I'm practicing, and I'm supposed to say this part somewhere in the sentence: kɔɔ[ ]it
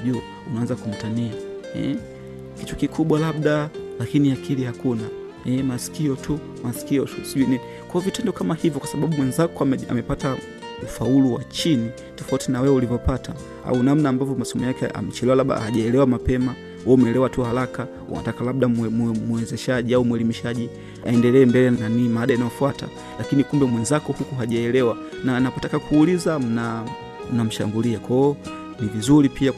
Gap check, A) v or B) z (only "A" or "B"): A